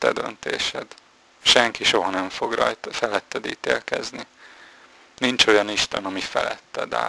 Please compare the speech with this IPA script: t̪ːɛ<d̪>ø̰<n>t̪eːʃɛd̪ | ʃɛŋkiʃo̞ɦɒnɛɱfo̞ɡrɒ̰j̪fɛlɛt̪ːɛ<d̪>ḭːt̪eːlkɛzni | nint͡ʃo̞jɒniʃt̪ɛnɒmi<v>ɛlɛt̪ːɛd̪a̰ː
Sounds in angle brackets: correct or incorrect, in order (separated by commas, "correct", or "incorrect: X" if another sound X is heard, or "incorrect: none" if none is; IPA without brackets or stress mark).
correct, correct, correct, incorrect: f